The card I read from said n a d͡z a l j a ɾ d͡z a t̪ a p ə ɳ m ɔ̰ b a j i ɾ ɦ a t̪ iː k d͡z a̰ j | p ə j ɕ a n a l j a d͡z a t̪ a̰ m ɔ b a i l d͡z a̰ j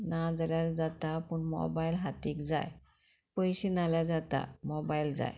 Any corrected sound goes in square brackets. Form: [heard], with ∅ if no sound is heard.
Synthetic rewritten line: n a d͡z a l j a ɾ d͡z a t̪ a p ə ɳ m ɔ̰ b a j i [l] ɦ a t̪ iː k d͡z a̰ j | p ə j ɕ [i] n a l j a d͡z a t̪ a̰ m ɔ b a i l d͡z a̰ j

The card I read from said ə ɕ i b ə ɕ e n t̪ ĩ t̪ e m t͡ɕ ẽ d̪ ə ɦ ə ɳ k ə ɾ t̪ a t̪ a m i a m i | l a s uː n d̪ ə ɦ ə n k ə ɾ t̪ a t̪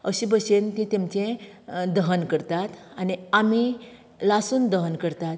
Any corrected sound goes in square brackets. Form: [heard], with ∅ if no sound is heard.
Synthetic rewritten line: ə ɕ i b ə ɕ e n t̪ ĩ t̪ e m t͡ɕ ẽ d̪ ə ɦ ə [n] k ə ɾ t̪ a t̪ a [n] i a m i | l a s uː n d̪ ə ɦ ə n k ə ɾ t̪ a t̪

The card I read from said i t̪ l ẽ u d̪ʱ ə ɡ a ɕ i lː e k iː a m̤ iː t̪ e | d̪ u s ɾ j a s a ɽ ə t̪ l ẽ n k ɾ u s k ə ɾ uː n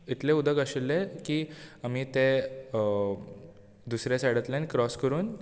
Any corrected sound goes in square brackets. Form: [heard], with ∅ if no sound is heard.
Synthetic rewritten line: i t̪ l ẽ u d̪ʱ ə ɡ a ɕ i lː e k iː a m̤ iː t̪ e | d̪ u s ɾ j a s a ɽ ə t̪ l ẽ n k ɾ [ɔ] s k ə ɾ uː n

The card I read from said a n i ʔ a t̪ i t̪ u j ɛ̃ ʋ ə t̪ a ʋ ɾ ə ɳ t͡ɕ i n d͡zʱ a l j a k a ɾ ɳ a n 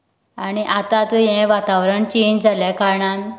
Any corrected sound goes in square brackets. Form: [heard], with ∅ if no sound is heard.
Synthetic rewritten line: a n i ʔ a t̪ [a] t̪ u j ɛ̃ ʋ [a] t̪ a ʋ ɾ ə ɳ t͡ɕ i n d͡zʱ a l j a k a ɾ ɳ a n

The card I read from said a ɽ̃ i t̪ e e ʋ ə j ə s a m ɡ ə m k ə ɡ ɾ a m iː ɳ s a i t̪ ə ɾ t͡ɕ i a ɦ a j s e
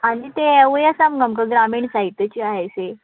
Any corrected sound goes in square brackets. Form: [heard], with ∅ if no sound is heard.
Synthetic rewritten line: a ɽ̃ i t̪ e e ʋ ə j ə s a m ɡ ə m k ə ɡ ɾ a m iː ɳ s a i t̪ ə [∅] t͡ɕ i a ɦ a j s e

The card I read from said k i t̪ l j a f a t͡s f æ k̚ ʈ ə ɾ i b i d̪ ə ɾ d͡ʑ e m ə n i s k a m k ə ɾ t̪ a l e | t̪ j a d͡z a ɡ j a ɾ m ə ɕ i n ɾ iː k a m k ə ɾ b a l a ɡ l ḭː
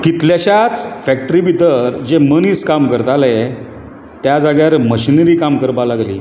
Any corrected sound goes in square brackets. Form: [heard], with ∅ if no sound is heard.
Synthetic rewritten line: k i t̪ l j a [ɕ] a t͡s f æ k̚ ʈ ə ɾ i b i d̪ ə ɾ d͡ʑ e m ə n i s k a m k ə ɾ t̪ a l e | t̪ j a d͡z a ɡ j a ɾ m ə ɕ i n ɾ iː k a m k ə ɾ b a l a ɡ l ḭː

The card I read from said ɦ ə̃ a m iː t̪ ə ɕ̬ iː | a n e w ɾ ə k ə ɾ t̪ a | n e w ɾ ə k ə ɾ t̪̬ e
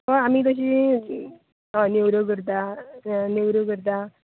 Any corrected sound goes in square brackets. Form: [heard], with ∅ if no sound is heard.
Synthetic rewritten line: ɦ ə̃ a m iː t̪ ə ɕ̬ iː | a n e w ɾ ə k ə ɾ t̪ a | n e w ɾ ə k ə ɾ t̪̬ [a]

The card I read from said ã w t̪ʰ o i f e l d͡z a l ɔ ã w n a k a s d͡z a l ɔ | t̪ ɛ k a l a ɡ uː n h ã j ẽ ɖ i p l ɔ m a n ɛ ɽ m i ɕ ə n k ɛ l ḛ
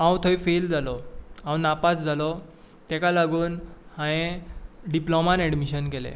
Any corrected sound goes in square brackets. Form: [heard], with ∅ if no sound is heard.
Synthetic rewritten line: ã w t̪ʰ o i f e l d͡z a l ɔ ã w n a [p] a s d͡z a l ɔ | t̪ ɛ k a l a ɡ uː n h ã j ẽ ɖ i p l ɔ m a n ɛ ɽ m i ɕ ə n k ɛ l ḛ

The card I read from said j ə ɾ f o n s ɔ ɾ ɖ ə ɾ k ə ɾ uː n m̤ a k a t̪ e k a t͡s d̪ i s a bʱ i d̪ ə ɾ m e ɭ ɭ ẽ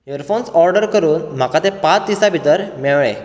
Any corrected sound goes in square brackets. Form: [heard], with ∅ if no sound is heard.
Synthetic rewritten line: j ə ɾ f o n s ɔ ɾ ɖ ə ɾ k ə ɾ uː n m̤ a k a t̪ e [p] a t͡s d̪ i s a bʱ i [t̪] ə ɾ m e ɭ ɭ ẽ

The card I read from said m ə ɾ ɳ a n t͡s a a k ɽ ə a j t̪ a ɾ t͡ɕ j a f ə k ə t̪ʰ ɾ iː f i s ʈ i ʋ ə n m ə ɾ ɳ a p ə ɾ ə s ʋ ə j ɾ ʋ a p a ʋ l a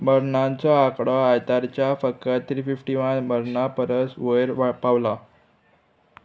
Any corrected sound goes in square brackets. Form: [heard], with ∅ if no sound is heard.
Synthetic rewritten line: m ə ɾ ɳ a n t͡s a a k ɽ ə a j t̪ a ɾ t͡ɕ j a f ə k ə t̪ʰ ɾ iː f i [f] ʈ i ʋ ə n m ə ɾ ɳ a p ə ɾ ə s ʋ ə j ɾ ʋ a p a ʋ l a

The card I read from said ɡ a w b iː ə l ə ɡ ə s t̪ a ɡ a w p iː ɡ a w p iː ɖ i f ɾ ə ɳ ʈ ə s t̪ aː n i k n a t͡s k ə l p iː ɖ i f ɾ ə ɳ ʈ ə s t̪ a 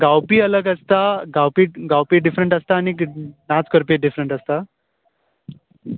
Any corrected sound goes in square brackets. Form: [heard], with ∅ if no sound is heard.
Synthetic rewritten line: ɡ a w [p] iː ə l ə ɡ ə s t̪ a ɡ a w p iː ɡ a w p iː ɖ i f ɾ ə ɳ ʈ ə s t̪ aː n i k n a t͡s k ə [ɾ] p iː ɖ i f ɾ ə ɳ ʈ ə s t̪ a

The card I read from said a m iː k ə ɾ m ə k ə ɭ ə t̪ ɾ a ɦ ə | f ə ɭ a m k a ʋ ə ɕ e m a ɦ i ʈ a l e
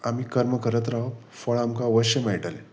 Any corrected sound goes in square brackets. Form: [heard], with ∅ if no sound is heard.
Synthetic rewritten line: a m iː k ə ɾ m ə k ə [ɾ] ə t̪ ɾ a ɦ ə | f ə ɭ a m k a ʋ ə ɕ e m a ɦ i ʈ a l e

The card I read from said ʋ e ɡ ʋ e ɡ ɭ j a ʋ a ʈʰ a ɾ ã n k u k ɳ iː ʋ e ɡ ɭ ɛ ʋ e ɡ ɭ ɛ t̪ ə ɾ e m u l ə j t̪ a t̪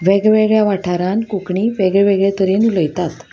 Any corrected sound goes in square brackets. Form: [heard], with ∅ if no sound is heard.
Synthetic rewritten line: ʋ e ɡ ʋ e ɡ ɭ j a ʋ a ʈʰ a ɾ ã n k u k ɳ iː ʋ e ɡ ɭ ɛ ʋ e ɡ ɭ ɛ t̪ ə ɾ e [n] u l ə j t̪ a t̪

